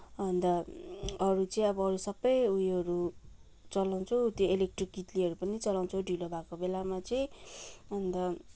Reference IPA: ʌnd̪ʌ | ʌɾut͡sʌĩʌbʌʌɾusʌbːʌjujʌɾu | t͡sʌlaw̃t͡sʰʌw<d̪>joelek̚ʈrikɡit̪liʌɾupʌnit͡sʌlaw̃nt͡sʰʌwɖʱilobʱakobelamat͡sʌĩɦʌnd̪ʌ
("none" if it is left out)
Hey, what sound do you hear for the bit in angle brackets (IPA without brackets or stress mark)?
t̪